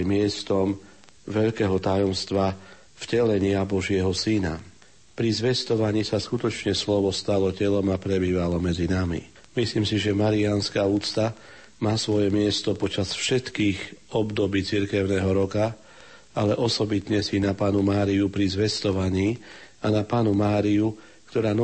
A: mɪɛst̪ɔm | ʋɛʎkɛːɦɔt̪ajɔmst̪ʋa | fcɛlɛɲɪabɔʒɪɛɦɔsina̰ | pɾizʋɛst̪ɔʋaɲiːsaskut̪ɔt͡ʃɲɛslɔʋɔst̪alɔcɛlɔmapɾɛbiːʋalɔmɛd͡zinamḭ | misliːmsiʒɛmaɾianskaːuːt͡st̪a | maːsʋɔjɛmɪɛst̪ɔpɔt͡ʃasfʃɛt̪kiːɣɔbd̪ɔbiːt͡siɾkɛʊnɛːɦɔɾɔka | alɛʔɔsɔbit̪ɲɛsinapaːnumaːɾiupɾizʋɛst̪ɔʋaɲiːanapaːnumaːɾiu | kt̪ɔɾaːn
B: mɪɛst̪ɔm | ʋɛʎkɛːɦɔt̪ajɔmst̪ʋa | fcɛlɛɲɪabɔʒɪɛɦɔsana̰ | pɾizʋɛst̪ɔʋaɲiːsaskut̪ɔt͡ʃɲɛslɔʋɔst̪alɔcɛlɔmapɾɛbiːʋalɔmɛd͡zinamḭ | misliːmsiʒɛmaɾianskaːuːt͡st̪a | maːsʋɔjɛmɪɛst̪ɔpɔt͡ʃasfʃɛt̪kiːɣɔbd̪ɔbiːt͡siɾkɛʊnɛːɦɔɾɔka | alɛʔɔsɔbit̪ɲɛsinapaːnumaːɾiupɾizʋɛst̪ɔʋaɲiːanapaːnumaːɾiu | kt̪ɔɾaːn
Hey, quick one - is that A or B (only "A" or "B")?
A